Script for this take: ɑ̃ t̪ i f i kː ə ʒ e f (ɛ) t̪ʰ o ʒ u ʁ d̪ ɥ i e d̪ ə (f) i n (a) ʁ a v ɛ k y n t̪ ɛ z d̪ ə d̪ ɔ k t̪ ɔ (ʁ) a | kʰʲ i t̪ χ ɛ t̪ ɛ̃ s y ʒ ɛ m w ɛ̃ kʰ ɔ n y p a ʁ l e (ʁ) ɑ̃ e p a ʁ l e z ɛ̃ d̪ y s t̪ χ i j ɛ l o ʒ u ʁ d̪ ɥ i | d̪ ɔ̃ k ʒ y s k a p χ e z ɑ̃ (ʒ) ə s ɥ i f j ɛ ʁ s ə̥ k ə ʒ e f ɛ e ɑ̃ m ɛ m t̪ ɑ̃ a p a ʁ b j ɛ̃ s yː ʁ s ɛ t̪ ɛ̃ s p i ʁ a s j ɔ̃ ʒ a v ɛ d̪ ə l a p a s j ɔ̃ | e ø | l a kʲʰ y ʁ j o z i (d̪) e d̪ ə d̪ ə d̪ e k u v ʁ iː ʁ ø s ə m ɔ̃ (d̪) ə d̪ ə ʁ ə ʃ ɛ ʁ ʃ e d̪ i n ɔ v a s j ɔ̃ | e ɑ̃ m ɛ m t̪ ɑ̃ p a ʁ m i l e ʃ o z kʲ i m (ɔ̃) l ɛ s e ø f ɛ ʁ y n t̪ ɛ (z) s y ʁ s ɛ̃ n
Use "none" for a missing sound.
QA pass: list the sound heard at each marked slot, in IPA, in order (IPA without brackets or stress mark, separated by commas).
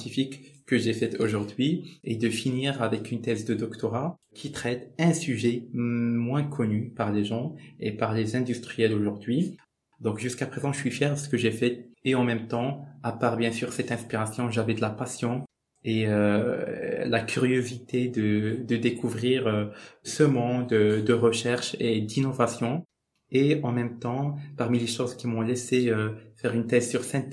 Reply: ɛ, f, i, ʁ, ʒ, ʒ, t̪, d̪, ɔ̃, z